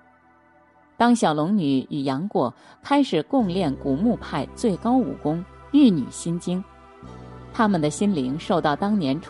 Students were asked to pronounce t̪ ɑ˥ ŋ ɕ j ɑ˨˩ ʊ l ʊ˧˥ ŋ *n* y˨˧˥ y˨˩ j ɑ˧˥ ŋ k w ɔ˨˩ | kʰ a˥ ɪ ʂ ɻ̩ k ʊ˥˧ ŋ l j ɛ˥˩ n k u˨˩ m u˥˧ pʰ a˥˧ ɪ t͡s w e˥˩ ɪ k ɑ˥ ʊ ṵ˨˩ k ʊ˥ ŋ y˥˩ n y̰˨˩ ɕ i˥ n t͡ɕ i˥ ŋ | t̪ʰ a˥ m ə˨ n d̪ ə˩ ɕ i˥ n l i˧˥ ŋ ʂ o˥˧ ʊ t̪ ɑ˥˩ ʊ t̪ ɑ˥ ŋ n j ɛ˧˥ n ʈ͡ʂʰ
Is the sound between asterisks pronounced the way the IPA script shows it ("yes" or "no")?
yes